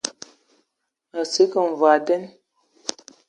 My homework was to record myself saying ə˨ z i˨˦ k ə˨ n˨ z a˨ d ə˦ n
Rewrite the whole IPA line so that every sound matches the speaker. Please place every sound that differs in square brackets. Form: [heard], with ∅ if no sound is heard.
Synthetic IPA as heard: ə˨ [s] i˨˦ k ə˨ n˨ [v] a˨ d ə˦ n